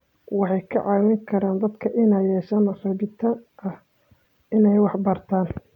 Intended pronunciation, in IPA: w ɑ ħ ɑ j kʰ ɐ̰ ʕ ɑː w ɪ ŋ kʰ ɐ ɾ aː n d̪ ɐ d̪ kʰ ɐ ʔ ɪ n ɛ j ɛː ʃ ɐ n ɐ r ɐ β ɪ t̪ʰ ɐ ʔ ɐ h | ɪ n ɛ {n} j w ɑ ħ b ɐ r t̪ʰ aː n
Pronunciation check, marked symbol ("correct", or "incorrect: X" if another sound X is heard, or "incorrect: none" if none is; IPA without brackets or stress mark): incorrect: none